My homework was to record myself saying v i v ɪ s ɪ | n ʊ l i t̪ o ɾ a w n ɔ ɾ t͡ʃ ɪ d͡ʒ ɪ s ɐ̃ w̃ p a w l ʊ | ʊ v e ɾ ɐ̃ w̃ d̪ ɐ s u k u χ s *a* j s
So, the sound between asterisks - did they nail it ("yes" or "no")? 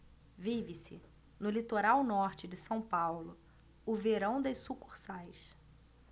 yes